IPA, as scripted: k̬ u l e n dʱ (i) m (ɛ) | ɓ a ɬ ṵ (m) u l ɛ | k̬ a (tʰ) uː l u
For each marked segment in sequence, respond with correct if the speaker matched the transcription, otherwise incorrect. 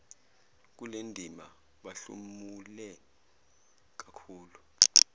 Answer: correct, incorrect: a, correct, incorrect: kʰ

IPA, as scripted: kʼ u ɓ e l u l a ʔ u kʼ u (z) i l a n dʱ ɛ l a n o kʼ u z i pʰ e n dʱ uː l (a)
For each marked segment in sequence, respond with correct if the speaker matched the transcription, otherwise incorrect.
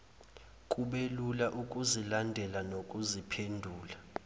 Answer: correct, correct

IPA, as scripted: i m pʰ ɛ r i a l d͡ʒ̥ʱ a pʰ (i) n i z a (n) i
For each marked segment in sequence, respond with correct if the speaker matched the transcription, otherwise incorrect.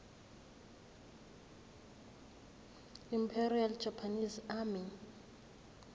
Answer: incorrect: a, incorrect: m

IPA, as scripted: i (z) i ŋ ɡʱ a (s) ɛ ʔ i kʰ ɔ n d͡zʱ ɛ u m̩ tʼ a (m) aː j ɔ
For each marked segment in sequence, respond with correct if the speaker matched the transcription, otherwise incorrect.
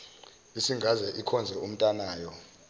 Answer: incorrect: s, incorrect: z, incorrect: n

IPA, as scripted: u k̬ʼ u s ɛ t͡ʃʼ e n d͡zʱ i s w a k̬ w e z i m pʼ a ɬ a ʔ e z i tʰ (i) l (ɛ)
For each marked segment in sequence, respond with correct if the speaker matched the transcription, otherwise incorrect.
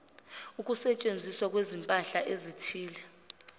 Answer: incorrect: iː, correct

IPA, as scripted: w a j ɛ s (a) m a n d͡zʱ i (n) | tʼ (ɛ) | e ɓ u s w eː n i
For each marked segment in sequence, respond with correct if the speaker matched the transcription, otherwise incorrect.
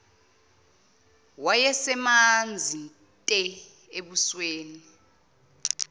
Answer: incorrect: ɛ, correct, correct

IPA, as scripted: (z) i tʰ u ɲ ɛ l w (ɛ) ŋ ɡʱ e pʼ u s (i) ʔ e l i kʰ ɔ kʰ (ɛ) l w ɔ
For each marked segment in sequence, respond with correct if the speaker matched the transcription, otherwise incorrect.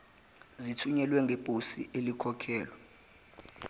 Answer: correct, correct, correct, incorrect: ɛː

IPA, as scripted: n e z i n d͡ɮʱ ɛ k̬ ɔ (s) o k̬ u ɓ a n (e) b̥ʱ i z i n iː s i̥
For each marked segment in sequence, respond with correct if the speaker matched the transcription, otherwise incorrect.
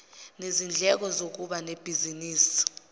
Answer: incorrect: z, correct

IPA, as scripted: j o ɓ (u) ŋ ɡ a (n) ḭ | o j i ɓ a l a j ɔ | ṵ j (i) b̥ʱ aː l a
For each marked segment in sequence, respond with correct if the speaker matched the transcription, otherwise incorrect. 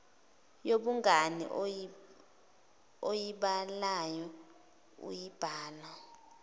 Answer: correct, correct, correct

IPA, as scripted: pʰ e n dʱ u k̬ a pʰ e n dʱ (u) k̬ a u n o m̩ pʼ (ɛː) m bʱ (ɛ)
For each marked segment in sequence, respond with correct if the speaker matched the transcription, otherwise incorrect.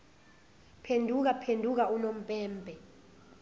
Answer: correct, correct, correct

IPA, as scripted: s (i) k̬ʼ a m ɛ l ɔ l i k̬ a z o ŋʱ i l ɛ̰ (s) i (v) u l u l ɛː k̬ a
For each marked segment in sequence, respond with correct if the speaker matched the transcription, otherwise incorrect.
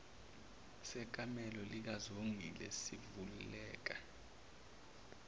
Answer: incorrect: ɛ, correct, correct

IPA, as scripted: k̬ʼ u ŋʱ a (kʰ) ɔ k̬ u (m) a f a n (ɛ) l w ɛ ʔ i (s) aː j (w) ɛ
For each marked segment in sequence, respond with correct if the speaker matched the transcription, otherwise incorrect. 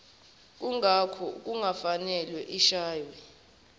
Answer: correct, incorrect: ŋ, correct, incorrect: ʃ, correct

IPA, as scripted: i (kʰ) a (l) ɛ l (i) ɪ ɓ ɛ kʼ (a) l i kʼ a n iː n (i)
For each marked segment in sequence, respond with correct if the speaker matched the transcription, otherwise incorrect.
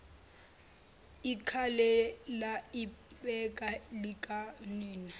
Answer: correct, correct, incorrect: a, correct, incorrect: a

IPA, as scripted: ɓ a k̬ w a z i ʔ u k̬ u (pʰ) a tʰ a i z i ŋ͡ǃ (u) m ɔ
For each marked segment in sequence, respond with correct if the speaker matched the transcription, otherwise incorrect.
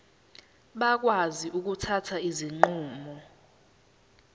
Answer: incorrect: tʰ, incorrect: uː

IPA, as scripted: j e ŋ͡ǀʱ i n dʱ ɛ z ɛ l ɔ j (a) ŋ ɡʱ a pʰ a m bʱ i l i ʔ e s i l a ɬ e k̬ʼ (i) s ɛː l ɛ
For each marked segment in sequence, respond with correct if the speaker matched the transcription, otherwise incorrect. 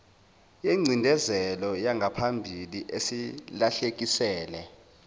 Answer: correct, correct

